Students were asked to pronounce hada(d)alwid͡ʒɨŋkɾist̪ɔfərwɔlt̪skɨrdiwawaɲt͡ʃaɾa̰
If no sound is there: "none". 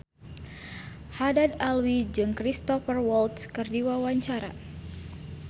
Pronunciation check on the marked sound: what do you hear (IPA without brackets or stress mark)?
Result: d